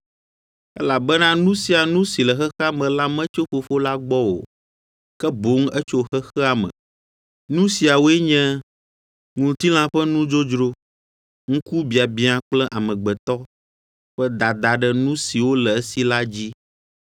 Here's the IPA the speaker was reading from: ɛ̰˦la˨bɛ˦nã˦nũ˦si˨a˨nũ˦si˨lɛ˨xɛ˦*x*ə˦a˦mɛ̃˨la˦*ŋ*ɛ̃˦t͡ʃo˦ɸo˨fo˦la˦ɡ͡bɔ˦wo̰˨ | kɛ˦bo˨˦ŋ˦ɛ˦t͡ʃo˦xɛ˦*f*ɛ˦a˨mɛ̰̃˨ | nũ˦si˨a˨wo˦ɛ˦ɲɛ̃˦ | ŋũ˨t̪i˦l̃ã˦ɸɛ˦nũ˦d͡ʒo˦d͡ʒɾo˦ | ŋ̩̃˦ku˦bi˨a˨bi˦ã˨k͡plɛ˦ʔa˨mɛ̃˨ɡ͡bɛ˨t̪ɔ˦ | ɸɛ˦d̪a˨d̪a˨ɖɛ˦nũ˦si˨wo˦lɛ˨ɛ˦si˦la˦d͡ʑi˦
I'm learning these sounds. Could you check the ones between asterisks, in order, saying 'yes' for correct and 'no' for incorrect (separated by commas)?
yes, no, no